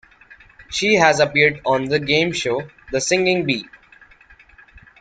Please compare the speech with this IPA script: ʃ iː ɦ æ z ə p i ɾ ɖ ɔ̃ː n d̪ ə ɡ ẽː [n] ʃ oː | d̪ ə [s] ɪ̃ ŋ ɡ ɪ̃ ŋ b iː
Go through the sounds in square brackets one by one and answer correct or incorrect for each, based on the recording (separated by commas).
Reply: incorrect, correct